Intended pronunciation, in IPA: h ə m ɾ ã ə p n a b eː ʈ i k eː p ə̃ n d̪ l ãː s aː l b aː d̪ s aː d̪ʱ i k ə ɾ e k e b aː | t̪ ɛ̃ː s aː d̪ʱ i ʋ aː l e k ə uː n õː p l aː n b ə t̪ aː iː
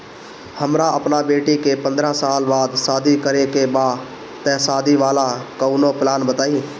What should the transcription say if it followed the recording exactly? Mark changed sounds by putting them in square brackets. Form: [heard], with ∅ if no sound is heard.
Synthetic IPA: h ə m ɾ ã ə p n a b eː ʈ i k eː p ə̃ n d̪ [ɾ] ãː s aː l b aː d̪ s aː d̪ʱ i k ə ɾ e k e b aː | t̪ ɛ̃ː s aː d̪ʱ i ʋ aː l [a] k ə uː n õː p l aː n b ə t̪ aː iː